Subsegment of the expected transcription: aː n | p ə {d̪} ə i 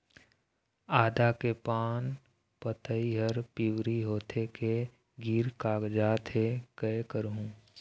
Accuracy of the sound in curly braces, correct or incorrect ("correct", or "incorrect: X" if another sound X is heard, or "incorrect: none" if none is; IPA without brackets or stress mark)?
incorrect: t̪